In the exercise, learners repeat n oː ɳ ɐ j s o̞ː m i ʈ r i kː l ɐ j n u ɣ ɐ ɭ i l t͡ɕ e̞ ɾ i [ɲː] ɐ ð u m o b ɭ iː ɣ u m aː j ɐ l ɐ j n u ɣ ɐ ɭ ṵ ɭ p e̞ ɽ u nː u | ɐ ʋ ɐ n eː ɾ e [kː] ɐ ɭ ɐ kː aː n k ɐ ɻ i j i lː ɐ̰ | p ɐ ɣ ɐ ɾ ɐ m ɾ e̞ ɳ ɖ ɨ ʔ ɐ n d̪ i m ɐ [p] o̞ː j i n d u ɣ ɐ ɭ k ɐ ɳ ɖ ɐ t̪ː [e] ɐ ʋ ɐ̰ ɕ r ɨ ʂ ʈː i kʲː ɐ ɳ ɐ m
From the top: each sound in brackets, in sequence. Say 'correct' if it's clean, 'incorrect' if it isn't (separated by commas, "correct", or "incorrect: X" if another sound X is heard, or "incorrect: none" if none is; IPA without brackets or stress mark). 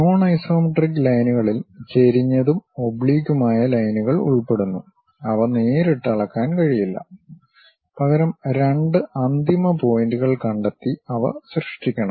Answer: correct, incorrect: ʈː, correct, incorrect: i